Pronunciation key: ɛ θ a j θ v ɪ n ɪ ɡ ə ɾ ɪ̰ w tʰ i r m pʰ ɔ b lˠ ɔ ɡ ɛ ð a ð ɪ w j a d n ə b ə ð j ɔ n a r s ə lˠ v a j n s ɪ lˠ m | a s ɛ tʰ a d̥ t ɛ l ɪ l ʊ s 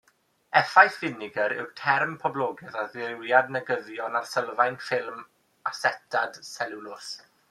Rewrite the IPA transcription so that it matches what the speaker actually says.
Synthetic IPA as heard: ɛ f a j θ v ɪ n ɪ ɡ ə ɾ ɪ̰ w tʰ ɛ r m pʰ ɔ b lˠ ɔ ɡ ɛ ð a ð ɪ w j a d n ə ɡ ə ð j ɔ n a r s ə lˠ v a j n f ɪ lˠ m | a s ɛ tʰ a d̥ s ɛ l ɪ l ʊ s